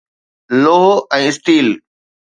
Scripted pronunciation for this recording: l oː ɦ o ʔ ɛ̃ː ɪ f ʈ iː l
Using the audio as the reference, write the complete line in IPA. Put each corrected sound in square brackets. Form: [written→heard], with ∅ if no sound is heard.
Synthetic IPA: l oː ɦ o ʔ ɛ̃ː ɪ [f→s] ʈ iː l